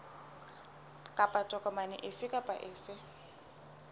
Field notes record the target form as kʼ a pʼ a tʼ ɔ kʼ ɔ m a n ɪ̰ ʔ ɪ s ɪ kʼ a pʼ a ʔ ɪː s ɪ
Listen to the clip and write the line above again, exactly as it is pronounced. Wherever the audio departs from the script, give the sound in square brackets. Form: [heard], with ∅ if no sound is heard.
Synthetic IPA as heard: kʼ a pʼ a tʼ ɔ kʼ ɔ m a n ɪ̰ ʔ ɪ s ɪ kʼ a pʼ a ʔ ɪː s ɪ